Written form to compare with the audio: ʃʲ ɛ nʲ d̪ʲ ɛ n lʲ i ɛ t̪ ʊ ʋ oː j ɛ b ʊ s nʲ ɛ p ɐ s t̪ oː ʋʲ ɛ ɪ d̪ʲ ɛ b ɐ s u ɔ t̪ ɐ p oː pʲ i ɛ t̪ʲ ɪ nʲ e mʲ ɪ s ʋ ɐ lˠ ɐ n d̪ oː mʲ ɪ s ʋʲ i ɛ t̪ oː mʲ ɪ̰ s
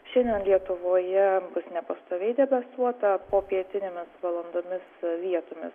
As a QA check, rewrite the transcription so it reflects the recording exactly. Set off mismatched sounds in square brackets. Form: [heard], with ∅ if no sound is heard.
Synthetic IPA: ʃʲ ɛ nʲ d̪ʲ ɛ n lʲ i ɛ t̪ ʊ ʋ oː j ɛ b ʊ s nʲ ɛ p ɐ s t̪ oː ʋʲ ɛ ɪ d̪ʲ ɛ b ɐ s u ɔ t̪ ɐ p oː pʲ i ɛ t̪ʲ ɪ nʲ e mʲ ɪ s ʋ ɐ lˠ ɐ n d̪ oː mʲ ɪ s ʋʲ i ɛ t̪ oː mʲ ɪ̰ s